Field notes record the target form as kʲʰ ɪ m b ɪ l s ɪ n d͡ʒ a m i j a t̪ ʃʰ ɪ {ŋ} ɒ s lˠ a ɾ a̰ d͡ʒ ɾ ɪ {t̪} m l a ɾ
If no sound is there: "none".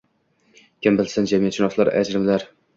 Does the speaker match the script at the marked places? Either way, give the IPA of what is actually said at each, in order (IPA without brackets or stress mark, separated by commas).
n, none